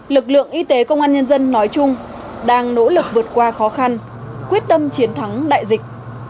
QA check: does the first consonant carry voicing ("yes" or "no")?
yes